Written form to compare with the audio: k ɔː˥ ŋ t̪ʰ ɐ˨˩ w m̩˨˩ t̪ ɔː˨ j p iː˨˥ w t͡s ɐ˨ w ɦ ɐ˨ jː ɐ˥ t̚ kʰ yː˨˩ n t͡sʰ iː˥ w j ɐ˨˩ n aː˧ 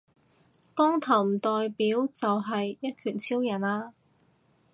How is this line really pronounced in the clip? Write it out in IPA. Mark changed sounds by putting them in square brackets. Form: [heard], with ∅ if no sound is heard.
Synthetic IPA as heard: k ɔː˥ ŋ t̪ʰ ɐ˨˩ w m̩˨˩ t̪ ɔː˨ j p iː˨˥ w t͡s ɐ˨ w ɦ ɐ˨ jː ɐ˥ t̚ kʰ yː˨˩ n t͡sʰ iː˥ w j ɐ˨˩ n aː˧